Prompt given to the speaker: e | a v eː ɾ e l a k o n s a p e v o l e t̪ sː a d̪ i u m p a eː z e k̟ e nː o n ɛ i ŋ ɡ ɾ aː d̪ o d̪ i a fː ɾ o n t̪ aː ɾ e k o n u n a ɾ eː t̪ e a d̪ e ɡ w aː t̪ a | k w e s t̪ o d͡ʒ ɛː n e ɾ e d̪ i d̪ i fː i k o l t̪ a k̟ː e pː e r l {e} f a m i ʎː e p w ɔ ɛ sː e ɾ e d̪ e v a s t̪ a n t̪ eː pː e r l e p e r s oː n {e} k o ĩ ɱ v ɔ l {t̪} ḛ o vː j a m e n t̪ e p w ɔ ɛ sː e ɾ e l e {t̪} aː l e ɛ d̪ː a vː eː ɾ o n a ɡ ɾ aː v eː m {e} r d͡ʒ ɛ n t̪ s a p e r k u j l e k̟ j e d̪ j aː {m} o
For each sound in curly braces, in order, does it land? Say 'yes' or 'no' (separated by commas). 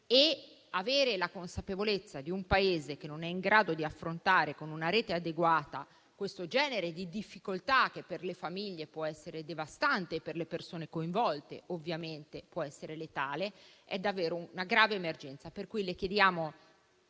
yes, yes, yes, yes, yes, yes